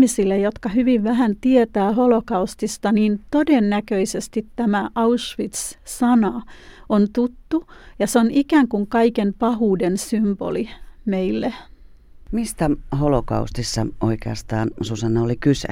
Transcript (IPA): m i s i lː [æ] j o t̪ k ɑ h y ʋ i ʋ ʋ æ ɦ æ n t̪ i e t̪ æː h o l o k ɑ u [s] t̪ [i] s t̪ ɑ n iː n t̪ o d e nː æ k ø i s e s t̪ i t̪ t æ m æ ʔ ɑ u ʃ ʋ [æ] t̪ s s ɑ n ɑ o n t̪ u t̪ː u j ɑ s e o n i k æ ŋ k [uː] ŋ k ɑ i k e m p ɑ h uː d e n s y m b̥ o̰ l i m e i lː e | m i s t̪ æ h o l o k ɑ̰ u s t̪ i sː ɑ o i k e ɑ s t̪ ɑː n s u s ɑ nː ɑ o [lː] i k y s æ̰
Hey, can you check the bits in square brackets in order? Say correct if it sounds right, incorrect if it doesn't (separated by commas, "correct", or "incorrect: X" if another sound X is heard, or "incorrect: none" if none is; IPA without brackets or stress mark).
incorrect: e, correct, correct, incorrect: i, incorrect: u, incorrect: l